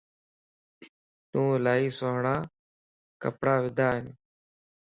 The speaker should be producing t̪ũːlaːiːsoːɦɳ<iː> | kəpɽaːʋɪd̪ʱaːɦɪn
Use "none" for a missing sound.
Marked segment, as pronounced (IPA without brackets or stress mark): aː